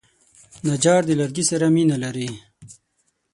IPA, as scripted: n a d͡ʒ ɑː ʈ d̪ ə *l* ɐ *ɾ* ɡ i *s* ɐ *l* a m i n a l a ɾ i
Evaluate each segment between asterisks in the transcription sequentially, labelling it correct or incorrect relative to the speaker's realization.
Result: correct, correct, correct, incorrect: ɾ

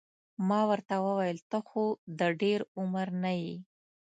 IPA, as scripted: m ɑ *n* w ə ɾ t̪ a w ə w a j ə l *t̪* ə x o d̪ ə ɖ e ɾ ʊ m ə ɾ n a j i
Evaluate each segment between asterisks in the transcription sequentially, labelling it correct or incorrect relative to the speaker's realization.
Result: incorrect: none, correct

